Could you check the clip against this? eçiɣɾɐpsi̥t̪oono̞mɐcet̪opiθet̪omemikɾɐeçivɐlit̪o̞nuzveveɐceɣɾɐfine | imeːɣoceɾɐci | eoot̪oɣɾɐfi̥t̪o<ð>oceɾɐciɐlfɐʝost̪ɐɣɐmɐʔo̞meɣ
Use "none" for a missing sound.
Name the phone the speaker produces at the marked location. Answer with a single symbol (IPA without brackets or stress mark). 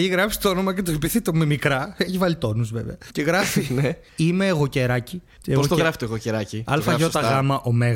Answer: ɣ